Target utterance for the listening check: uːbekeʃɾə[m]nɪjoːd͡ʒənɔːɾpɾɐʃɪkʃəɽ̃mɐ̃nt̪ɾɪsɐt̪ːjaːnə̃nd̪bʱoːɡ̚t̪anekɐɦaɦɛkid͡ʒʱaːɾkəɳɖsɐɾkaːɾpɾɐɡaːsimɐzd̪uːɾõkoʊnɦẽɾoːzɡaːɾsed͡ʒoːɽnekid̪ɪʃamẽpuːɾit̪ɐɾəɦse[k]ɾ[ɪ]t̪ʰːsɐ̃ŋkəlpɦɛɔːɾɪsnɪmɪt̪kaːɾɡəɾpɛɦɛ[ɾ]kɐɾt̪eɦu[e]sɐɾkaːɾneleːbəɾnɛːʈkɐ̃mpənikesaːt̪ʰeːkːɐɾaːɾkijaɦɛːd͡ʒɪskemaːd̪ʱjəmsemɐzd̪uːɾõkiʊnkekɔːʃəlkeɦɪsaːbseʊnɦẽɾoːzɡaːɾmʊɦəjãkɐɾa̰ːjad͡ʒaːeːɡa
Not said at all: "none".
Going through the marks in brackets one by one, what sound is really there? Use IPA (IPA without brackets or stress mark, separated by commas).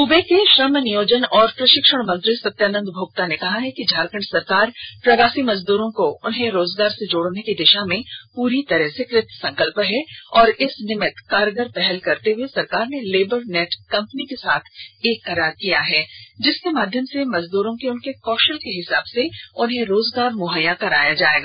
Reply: m, k, ɪ, l, e